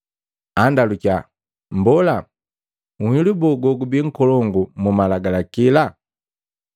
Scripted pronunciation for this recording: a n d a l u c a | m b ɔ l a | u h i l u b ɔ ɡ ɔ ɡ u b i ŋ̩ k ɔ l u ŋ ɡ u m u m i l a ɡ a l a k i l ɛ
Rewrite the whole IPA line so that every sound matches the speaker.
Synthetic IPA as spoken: a n d a l u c a | m b ɔ l a | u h i l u b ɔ ɡ ɔ ɡ u b i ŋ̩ k ɔ l ɔ ŋ ɡ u m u m a l a ɡ a l a k i l a

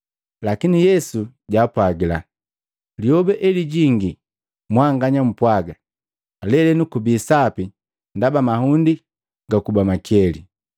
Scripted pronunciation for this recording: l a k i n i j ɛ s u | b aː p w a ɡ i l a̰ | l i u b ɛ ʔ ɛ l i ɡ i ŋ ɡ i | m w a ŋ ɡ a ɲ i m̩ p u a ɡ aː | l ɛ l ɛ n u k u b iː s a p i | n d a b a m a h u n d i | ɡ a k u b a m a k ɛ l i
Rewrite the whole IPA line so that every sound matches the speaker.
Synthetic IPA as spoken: l a k i n i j ɛ s u | ɟ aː p w a ɡ i l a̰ | l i ɔ b ɛ ʔ ɛ l i ɟ i ŋ ɡ i | m w a ŋ ɡ a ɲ a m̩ p w a ɡ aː | l ɛ l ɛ n u k u b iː s a p i | n d a b a m a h u n d i | ɡ a k u b a m a k ɛ l i

